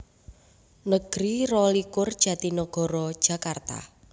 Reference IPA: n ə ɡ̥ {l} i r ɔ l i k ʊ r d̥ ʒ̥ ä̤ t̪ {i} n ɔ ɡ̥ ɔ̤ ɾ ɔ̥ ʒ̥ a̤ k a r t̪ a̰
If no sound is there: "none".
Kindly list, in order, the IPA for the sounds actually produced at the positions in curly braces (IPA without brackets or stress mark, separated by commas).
ɾ, i